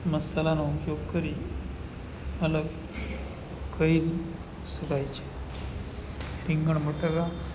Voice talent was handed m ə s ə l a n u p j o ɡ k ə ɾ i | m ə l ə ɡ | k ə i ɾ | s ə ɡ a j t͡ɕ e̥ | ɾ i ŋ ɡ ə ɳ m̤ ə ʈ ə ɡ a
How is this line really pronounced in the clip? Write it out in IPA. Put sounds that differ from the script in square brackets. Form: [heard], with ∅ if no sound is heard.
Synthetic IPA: m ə s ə l a n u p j o ɡ k ə ɾ i | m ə l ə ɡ | k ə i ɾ | s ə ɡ a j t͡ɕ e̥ | ɾ i ŋ ɡ ə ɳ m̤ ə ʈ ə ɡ a